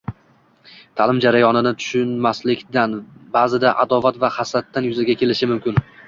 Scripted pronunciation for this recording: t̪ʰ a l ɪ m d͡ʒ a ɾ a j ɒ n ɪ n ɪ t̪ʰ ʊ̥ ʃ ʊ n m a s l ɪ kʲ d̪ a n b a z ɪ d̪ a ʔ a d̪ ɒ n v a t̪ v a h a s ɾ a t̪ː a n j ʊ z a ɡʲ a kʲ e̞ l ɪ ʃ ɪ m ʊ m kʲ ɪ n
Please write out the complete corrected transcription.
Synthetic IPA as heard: t̪ʰ a l ɪ m d͡ʒ a ɾ a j ɒ n ɪ n ɪ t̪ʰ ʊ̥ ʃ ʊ n m a s l ɪ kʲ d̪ a n b a z ɪ d̪ a ʔ a d̪ ɒ v a t̪ v a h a s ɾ a t̪ː a n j ʊ z a ɡʲ a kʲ e̞ l ɪ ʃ ɪ m ʊ m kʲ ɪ n

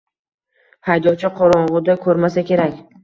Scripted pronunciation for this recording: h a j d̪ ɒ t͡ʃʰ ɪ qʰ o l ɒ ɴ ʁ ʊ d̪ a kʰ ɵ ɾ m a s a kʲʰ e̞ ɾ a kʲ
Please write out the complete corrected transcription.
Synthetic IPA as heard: h a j d̪ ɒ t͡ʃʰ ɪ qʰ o ɾ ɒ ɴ ʁ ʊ d̪ a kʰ ɵ ɾ m a s a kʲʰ e̞ ɾ a kʲ

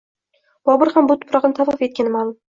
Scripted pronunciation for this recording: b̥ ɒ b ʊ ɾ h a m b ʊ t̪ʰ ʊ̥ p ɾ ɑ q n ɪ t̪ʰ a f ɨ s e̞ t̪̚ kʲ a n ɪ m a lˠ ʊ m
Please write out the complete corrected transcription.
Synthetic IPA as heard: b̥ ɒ b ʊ ɾ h a m b ʊ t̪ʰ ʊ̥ p ɾ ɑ q n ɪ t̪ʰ a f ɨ f e̞ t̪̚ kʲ a n ɪ m a lˠ ʊ m

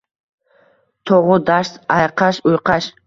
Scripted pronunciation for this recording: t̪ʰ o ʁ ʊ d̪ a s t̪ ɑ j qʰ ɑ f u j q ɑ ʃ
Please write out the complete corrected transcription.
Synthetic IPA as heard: t̪ʰ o ʁ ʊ d̪ a ʃ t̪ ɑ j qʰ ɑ ʃ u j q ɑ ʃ

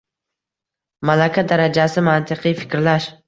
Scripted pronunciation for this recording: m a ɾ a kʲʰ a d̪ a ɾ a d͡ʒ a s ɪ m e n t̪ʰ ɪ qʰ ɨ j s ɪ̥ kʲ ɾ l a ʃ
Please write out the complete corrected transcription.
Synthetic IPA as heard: m a l a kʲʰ a d̪ a ɾ a d͡ʒ a s ɪ m a n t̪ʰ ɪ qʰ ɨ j f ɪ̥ kʲ ɾ l a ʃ

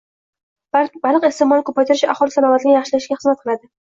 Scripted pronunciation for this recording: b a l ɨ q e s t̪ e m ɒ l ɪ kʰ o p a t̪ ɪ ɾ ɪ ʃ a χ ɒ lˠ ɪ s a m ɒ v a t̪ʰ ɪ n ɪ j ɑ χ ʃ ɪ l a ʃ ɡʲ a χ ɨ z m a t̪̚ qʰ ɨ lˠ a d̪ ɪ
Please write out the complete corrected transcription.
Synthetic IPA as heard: b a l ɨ q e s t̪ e m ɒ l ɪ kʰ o p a t̪ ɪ ɾ ɪ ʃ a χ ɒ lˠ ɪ s a n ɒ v a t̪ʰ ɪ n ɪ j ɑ χ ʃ ɪ l a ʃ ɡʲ a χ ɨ z m a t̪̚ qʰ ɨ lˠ a d̪ ɪ

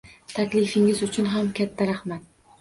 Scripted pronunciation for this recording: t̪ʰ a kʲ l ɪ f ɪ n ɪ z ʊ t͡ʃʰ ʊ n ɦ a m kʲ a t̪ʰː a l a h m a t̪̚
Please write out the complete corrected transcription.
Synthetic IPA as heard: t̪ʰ a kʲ l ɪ f ɪ ŋ ɪ z ʊ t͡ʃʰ ʊ n ɦ a m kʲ a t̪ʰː a ɾ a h m a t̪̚

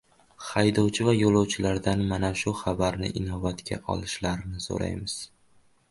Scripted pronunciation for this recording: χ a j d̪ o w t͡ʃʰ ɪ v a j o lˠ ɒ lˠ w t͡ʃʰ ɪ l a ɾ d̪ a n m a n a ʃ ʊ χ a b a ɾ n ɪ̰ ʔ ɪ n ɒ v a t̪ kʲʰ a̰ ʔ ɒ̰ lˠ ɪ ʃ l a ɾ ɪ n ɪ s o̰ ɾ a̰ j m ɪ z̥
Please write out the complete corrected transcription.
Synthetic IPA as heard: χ a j d̪ ɒ w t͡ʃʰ ɪ v a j o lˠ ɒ w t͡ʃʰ ɪ l a ɾ d̪ a n m a n a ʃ ʊ χ a b a ɾ n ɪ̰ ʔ ɪ n ɒ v a t̪ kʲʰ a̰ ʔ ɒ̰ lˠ ɪ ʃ l a ɾ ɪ n ɪ s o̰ ɾ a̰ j m ɪ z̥

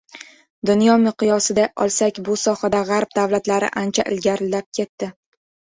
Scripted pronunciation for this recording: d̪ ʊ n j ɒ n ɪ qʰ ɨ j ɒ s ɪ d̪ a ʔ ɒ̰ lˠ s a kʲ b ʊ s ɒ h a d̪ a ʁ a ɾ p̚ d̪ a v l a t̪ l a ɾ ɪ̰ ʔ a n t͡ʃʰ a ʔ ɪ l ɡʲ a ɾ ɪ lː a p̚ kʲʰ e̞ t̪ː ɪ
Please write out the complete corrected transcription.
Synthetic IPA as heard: d̪ ʊ n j ɒ m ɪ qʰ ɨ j ɒ s ɪ d̪ a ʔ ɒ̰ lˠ s a kʲ b ʊ s ɒ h a d̪ a ʁ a ɾ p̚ d̪ a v l a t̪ l a ɾ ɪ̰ ʔ a n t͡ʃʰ a ʔ ɪ l ɡʲ a ɾ ɪ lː a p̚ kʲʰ e̞ t̪ː ɪ

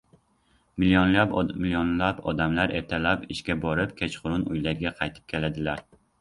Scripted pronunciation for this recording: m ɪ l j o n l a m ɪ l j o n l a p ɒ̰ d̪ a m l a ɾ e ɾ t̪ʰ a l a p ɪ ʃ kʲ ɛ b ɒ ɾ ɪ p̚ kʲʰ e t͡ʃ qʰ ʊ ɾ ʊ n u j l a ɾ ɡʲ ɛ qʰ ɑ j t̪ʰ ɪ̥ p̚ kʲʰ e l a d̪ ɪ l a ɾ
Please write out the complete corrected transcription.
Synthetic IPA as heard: m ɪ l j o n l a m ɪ l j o n l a p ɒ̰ d̪ a m l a ɾ e ɾ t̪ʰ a l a p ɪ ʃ kʲ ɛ b ɒ ɾ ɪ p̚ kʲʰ e t͡ʃ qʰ ʊ ɾ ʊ n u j l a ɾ ɡʲ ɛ qʰ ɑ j t̪ʰ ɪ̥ p̚ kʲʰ e l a d̪ ɪ l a ɾ

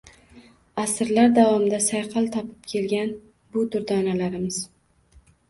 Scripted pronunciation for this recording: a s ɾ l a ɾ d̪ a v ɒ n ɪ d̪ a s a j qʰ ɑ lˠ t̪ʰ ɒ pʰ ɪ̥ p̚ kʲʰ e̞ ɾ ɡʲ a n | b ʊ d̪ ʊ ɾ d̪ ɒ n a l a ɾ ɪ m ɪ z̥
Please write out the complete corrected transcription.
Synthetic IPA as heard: a s ɾ l a ɾ d̪ a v ɒ m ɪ d̪ a s a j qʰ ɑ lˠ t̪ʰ ɒ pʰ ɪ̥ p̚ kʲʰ e̞ l ɡʲ a n | b ʊ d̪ ʊ ɾ d̪ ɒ n a l a ɾ ɪ m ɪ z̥

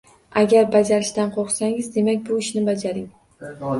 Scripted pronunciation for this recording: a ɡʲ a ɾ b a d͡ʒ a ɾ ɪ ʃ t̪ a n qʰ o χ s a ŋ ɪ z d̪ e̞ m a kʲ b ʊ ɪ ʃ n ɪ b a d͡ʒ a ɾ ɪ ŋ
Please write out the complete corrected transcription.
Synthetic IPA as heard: a ɡʲ a ɾ b a d͡ʒ a ɾ ɪ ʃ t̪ a n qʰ o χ s a ŋ ɪ z d̪ e̞ m a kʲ b ʊ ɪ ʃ n ɪ b a d͡ʒ a ɾ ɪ ŋ

